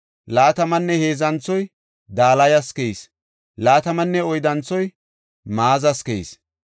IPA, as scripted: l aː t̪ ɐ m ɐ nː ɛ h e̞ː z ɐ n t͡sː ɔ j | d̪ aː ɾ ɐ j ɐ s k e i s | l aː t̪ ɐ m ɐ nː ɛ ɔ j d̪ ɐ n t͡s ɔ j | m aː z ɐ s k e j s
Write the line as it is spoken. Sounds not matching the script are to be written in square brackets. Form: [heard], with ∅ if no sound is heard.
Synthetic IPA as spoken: l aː t̪ ɐ m ɐ nː ɛ h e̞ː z ɐ n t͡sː ɔ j | d̪ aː [l] ɐ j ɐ s k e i s | l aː t̪ ɐ m ɐ nː ɛ ɔ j d̪ ɐ n t͡s ɔ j | m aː z ɐ s k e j s